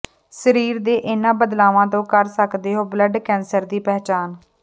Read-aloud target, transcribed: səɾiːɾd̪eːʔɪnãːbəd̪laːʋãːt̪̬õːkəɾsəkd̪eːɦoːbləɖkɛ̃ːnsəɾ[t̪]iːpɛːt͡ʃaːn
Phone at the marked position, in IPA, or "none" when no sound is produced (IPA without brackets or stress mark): d̪